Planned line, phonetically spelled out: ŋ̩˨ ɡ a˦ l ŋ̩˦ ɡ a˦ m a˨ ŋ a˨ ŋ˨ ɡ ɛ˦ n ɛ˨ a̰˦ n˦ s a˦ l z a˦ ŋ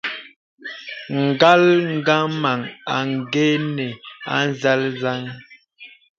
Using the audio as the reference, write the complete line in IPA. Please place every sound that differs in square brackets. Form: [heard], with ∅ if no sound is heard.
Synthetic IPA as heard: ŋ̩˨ ɡ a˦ l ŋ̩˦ ɡ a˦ m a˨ ŋ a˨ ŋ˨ ɡ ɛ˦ n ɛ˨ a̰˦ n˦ [z] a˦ l z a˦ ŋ